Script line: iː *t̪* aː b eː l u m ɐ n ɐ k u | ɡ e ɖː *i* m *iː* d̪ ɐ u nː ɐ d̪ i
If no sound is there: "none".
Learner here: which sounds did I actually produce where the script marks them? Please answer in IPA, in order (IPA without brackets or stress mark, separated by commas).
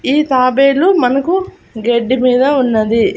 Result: t̪, i, iː